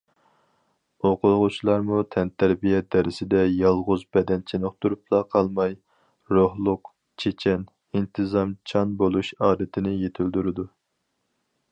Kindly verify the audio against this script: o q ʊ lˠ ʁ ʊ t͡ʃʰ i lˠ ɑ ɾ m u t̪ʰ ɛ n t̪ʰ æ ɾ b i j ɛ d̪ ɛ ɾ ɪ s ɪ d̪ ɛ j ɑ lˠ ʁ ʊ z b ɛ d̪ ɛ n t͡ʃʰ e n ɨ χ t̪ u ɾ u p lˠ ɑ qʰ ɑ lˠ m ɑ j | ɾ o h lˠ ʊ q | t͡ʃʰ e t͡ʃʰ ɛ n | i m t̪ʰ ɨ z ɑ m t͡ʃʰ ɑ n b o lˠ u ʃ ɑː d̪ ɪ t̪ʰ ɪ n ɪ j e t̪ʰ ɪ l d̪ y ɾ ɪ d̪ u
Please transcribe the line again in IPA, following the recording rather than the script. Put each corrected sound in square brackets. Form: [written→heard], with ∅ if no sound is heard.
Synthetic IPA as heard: o q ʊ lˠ ʁ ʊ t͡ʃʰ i lˠ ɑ ɾ m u t̪ʰ ɛ n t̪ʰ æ ɾ b i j ɛ d̪ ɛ ɾ ɪ s ɪ d̪ ɛ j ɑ lˠ ʁ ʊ z b ɛ d̪ ɛ n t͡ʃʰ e n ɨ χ t̪ u ɾ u p lˠ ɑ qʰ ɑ lˠ m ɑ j | ɾ o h lˠ ʊ q | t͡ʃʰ e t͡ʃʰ ɛ n | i [m→n] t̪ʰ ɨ z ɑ m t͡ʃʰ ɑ n b o lˠ u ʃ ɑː d̪ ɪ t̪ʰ ɪ n ɪ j e t̪ʰ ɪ l d̪ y ɾ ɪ d̪ u

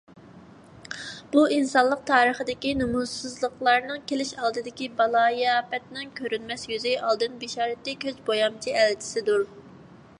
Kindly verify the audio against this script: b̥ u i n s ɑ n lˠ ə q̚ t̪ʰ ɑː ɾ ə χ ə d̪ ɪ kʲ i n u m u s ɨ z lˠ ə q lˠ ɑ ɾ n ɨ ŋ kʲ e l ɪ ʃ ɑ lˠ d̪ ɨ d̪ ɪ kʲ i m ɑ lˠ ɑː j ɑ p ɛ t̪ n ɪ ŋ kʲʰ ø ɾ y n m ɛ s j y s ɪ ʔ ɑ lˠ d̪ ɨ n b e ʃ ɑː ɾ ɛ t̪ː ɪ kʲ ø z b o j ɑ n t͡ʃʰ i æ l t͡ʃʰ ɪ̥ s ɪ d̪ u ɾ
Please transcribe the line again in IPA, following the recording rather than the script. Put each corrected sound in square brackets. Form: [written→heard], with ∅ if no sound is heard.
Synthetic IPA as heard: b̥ u i n s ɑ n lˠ ə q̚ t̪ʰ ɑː ɾ ə χ ə d̪ ɪ kʲ i n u m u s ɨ z lˠ ə q lˠ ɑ ɾ n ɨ ŋ kʲ e l ɪ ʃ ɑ lˠ d̪ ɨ d̪ ɪ kʲ i [m→b] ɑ lˠ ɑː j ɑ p ɛ t̪ n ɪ ŋ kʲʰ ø ɾ y n m ɛ s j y [s→z] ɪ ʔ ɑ lˠ d̪ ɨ n b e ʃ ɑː ɾ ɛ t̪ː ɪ kʲ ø z b o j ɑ [n→m] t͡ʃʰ i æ l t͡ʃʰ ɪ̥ s ɪ d̪ u ɾ

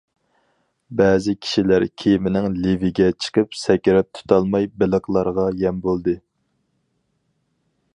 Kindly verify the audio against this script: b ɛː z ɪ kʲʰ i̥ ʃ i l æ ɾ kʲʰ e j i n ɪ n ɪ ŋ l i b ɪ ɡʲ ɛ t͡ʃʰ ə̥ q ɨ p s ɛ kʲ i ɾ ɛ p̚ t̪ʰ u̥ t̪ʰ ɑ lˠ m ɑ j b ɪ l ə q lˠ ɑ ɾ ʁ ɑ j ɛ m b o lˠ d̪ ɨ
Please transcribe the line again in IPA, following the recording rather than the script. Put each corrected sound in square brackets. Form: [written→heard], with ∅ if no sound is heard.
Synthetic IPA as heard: b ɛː z ɪ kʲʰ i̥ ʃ i l æ ɾ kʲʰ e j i [n→m] ɪ n ɪ ŋ l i [b→v] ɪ ɡʲ ɛ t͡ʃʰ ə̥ q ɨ p s ɛ kʲ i ɾ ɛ p̚ t̪ʰ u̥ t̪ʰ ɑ lˠ m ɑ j b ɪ l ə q lˠ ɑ ɾ ʁ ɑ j ɛ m b o lˠ d̪ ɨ

